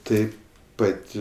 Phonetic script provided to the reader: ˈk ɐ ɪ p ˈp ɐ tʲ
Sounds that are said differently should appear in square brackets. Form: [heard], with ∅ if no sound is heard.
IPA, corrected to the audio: [ˈt] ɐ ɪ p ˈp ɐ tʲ